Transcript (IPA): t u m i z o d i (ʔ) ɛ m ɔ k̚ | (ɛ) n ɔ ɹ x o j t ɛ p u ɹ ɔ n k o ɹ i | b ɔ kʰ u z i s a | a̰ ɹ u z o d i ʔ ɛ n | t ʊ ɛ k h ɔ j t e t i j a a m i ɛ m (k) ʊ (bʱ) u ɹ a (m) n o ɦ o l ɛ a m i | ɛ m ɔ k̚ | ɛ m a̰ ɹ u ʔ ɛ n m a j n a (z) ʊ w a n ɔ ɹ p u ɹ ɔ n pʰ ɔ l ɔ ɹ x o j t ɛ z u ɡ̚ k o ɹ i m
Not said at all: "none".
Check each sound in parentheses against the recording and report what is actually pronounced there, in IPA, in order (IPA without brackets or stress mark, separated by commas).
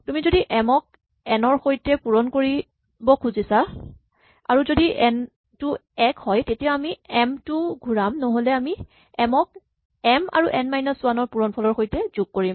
ʔ, ɛ, t, ɡʱ, m, s